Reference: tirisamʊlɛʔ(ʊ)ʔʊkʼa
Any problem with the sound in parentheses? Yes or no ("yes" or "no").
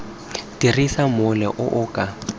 no